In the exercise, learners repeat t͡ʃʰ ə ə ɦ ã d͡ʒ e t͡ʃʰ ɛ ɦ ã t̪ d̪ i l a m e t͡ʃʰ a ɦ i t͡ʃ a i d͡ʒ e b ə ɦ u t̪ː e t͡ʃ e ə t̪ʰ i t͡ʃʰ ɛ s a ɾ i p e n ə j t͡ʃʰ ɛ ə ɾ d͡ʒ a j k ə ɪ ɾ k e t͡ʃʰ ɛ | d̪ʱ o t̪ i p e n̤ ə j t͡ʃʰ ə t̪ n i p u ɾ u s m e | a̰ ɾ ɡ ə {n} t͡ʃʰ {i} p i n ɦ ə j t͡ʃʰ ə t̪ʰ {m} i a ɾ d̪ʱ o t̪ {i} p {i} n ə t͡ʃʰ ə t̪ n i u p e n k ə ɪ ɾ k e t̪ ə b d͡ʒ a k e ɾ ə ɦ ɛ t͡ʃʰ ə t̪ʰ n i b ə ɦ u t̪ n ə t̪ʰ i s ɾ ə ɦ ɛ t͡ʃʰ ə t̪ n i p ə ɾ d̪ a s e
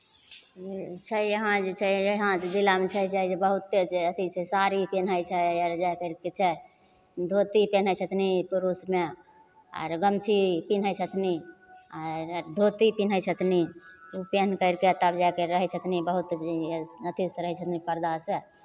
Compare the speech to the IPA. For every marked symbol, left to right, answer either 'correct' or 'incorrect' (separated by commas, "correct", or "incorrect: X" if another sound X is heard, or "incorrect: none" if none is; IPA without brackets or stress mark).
incorrect: m, correct, incorrect: n, correct, correct